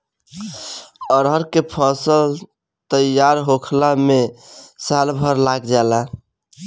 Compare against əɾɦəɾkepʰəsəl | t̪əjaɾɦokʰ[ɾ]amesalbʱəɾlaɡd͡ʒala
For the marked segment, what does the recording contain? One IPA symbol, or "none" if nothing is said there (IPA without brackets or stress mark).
l